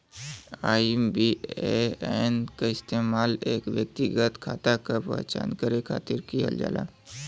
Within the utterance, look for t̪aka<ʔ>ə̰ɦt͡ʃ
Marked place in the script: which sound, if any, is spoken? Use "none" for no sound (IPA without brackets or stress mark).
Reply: p